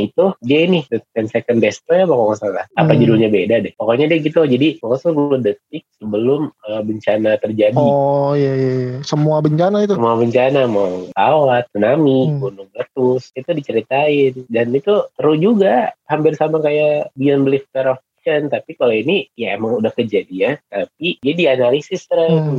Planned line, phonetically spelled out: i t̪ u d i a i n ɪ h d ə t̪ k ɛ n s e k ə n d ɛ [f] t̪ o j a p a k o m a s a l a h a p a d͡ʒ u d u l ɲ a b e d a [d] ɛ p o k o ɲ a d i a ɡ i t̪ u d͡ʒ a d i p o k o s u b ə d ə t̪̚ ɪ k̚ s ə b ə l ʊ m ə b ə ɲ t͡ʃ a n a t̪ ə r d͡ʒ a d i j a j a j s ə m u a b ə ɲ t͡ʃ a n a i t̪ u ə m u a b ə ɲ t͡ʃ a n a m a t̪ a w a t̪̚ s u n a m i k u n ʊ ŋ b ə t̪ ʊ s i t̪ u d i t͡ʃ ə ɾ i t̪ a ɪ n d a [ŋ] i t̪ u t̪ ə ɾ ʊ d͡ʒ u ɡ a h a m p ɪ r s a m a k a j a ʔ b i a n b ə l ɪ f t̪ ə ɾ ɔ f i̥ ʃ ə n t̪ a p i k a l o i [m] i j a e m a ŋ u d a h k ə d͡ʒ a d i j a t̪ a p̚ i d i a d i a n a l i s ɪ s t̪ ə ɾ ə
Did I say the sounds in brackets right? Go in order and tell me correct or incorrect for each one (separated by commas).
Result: incorrect, correct, incorrect, incorrect